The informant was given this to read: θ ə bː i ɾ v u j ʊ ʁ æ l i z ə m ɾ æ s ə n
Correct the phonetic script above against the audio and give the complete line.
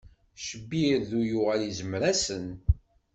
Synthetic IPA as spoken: ʃ ə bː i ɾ ð u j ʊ ʁ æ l i z ə m ɾ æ s ə n